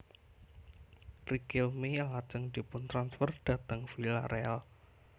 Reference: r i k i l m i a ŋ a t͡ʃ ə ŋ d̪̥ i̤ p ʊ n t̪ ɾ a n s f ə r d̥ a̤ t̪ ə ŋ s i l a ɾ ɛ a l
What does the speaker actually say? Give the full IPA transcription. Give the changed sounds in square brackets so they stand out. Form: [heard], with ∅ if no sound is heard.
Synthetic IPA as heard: r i k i l m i a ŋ a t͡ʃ ə ŋ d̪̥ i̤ p ʊ n t̪ ɾ a n s f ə r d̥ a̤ t̪ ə ŋ [f] i l a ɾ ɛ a l

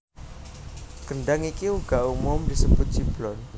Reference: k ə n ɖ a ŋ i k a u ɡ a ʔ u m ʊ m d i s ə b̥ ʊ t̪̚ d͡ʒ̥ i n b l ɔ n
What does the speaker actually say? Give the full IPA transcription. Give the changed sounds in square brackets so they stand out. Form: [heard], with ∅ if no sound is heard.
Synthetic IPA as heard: k ə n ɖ a ŋ i k [i] u ɡ a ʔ u m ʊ m d i s ə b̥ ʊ t̪̚ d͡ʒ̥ i [∅] b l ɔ n

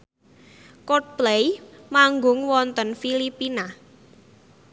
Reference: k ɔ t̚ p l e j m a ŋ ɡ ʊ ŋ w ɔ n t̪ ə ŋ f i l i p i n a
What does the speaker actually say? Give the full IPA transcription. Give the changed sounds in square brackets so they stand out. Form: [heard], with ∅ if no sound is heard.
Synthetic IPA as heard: k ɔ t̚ p l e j m a ŋ ɡ ʊ ŋ w ɔ n t̪ ə [n] f i l i p i n a

